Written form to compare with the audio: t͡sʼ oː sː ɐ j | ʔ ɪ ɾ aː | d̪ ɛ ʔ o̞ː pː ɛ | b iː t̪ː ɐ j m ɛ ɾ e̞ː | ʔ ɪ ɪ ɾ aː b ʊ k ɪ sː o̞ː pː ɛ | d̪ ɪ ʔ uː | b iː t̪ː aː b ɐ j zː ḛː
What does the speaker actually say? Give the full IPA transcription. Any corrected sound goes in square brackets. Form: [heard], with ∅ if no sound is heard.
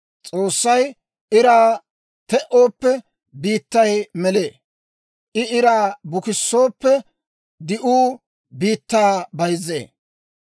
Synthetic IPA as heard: t͡sʼ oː sː ɐ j | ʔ ɪ ɾ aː | [t̪] ɛ ʔ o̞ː pː ɛ | b iː t̪ː ɐ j m ɛ [l] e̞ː | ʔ ɪ ɪ ɾ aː b ʊ k ɪ sː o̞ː pː ɛ | d̪ ɪ ʔ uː | b iː t̪ː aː b ɐ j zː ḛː